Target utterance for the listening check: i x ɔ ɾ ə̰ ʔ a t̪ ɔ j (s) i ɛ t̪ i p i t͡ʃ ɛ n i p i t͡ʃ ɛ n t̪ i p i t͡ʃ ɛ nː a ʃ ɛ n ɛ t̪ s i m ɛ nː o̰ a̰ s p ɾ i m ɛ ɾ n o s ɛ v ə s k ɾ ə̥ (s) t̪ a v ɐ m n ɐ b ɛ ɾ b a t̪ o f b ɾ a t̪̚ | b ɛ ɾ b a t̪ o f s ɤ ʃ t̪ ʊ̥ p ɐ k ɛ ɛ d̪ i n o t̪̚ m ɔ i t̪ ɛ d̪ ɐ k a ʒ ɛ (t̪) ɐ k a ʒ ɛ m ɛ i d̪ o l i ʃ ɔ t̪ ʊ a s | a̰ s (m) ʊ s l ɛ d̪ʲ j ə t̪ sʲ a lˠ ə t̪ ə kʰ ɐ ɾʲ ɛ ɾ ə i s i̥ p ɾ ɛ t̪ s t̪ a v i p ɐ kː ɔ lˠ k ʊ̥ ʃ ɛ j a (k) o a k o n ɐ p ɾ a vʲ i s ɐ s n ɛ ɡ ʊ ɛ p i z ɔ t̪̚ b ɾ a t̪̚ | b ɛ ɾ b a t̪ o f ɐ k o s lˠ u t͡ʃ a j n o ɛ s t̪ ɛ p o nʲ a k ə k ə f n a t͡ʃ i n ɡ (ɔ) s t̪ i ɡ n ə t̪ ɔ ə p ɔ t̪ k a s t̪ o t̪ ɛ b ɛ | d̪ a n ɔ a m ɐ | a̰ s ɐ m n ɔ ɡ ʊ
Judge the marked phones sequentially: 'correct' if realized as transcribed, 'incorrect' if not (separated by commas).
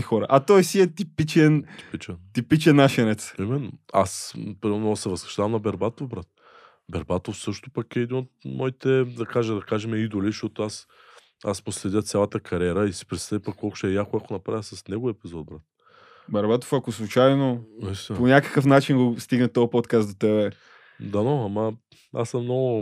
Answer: correct, incorrect, incorrect, correct, correct, incorrect